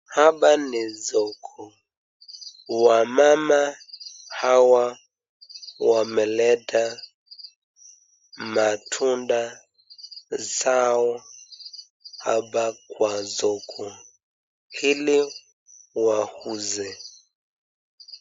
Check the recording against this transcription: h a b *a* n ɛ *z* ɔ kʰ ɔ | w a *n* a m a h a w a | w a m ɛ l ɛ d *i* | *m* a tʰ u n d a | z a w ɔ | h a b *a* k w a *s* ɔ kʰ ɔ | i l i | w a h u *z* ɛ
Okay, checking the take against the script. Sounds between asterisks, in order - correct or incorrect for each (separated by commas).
correct, correct, incorrect, incorrect, correct, correct, incorrect, correct